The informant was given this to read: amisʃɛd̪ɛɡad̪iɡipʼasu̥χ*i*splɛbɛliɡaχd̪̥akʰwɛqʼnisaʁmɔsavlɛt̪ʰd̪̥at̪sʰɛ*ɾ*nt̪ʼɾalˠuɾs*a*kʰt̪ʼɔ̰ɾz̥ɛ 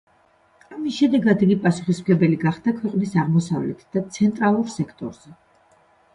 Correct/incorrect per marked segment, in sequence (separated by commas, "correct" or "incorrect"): correct, incorrect, incorrect